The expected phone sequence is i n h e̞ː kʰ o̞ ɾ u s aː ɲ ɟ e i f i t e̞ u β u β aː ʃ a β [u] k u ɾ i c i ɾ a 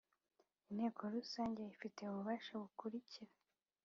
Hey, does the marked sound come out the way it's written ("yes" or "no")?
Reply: yes